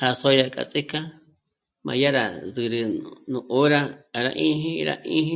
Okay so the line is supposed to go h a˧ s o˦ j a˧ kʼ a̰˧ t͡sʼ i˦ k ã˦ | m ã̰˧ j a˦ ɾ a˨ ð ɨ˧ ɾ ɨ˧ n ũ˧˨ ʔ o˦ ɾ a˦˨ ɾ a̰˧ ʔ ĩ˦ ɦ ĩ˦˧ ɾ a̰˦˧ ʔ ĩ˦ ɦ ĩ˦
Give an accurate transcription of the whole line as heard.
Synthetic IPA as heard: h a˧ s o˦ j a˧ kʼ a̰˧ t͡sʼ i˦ k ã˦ | m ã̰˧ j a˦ ɾ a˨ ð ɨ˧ ɾ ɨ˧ n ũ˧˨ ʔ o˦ ɾ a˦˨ ɾ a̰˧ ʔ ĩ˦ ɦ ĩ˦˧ ɾ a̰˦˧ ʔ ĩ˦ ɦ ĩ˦